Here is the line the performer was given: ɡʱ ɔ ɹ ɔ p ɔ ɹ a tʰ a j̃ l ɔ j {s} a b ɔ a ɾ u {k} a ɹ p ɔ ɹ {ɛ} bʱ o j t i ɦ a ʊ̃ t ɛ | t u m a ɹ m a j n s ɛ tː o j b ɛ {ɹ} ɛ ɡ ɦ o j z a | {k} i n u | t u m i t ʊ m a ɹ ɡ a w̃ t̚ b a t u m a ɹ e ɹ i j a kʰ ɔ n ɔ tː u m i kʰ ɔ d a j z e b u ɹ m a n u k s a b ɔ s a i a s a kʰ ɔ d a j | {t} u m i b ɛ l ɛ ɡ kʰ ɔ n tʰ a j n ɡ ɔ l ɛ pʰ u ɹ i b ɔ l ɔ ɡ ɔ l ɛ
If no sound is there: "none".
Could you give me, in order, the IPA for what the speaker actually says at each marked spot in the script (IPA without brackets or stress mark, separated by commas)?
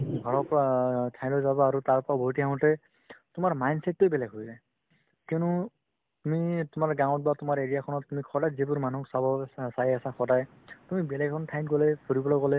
z, t, a, l, k, t